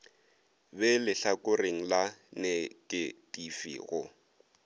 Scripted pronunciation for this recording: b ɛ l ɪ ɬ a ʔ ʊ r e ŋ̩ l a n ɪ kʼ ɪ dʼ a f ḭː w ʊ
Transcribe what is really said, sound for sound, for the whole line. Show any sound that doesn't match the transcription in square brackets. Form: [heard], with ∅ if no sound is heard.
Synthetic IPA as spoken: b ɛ l ɪ ɬ a [k] ʊ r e ŋ̩ l a n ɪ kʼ ɪ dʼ [i] f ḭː [ɣ] ʊ